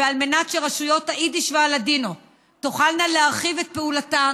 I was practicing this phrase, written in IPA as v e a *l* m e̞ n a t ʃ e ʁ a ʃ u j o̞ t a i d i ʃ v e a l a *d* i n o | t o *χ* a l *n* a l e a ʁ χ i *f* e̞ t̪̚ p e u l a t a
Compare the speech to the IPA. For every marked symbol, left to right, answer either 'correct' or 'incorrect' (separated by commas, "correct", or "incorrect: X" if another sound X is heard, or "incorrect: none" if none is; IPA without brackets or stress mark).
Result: correct, correct, correct, correct, incorrect: v